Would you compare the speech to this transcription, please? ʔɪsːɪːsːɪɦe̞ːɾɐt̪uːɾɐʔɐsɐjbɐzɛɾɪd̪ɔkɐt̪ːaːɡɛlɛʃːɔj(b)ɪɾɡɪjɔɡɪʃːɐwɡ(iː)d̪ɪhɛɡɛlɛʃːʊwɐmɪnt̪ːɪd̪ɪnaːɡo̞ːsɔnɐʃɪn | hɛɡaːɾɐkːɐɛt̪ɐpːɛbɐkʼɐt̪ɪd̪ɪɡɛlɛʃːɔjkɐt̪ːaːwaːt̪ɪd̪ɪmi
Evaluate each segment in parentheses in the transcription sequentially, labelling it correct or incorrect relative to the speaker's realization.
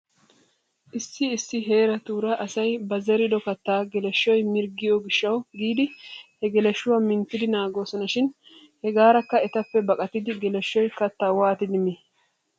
incorrect: m, correct

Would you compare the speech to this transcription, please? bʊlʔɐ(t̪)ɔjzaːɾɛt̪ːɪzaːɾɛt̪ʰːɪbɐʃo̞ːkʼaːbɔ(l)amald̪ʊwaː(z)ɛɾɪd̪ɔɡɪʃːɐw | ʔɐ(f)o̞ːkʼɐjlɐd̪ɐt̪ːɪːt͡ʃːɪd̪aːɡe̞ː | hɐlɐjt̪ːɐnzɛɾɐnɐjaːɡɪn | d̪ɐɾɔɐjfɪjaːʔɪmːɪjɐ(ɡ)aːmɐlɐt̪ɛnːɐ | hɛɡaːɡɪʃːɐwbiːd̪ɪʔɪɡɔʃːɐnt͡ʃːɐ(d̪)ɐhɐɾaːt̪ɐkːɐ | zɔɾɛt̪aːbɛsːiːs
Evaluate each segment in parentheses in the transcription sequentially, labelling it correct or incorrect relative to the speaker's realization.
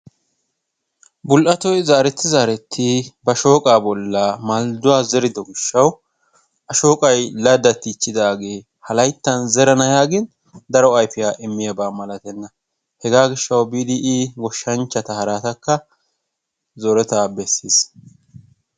correct, incorrect: lː, correct, incorrect: ʃ, incorrect: b, incorrect: t̪

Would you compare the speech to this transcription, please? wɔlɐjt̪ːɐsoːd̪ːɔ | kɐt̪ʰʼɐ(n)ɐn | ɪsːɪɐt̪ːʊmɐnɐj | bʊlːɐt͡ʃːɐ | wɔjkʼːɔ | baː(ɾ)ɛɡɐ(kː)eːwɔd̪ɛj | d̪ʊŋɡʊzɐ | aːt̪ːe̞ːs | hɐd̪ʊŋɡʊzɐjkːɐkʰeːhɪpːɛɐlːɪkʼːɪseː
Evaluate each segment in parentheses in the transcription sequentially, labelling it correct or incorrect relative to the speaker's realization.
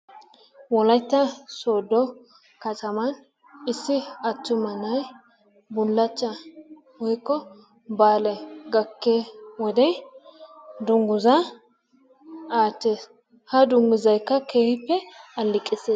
incorrect: m, incorrect: l, correct

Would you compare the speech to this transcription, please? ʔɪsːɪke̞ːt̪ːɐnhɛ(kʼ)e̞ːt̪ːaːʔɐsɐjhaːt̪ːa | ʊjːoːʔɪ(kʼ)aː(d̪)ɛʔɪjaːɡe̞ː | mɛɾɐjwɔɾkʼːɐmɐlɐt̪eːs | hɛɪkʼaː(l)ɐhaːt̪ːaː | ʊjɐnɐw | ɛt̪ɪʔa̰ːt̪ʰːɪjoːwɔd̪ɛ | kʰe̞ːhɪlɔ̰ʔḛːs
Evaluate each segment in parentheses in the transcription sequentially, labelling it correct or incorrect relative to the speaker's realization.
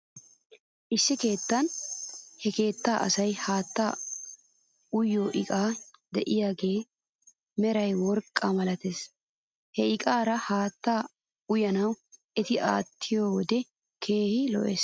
incorrect: k, correct, correct, incorrect: ɾ

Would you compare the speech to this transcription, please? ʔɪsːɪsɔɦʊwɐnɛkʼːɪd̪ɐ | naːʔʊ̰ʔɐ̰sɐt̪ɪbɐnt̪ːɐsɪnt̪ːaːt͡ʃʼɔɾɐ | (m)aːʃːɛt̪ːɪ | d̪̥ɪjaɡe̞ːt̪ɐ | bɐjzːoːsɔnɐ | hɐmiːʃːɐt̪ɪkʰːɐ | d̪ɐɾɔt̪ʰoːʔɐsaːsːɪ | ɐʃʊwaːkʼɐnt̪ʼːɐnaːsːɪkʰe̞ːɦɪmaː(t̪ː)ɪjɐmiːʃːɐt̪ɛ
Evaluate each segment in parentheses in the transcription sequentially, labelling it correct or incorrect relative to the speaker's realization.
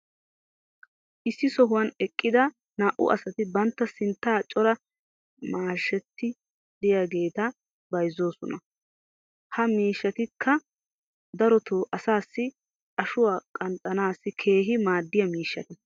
correct, incorrect: d̪ː

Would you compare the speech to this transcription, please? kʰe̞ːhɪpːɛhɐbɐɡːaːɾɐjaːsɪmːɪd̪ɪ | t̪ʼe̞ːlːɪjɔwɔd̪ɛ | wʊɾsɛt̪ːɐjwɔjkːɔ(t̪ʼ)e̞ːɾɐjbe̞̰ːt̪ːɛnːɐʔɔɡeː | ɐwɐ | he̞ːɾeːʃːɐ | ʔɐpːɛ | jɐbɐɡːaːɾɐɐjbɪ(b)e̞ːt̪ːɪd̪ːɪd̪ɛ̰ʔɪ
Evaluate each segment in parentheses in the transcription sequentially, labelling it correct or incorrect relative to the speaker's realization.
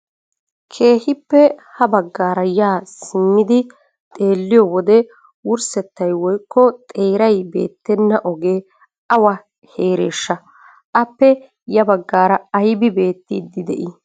correct, correct

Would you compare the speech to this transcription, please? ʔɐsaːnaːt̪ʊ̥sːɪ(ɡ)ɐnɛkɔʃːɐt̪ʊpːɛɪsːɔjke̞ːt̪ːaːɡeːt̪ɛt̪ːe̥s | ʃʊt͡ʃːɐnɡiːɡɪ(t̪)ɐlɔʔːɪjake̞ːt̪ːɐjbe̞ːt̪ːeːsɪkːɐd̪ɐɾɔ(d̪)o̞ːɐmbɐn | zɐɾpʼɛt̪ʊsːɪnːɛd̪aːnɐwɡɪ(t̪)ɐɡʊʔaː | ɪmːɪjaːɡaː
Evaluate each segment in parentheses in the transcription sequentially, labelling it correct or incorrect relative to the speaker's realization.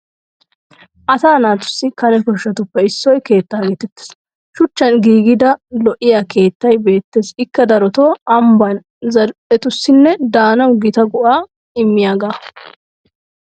incorrect: k, incorrect: d̪, incorrect: t̪, correct

